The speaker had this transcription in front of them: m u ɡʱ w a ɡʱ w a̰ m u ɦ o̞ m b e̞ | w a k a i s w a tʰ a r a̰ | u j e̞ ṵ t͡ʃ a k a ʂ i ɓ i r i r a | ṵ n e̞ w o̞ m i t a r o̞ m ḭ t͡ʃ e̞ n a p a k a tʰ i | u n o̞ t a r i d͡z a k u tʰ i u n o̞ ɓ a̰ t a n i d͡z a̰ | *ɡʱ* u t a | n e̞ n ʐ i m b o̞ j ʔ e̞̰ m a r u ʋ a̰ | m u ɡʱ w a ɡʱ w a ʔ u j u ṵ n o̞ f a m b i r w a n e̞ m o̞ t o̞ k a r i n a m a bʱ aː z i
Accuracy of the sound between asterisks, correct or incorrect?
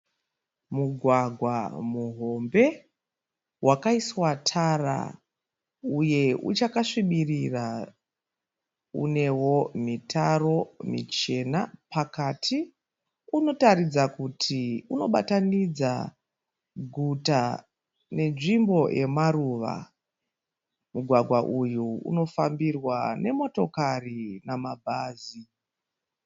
correct